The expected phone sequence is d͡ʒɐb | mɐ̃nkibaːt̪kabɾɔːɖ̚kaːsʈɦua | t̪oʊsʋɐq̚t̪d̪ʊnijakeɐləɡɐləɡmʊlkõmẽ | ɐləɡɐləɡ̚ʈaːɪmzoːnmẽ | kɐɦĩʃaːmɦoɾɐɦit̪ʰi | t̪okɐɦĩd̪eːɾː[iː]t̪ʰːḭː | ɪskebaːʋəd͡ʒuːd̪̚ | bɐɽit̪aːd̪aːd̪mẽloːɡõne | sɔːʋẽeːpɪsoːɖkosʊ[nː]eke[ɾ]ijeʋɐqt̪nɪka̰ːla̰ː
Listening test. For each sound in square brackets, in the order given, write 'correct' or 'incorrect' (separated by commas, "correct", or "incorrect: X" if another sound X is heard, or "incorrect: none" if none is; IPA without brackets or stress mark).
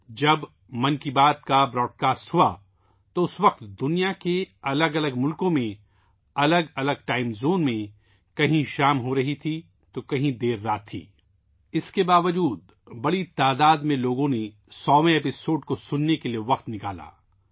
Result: incorrect: aː, correct, incorrect: l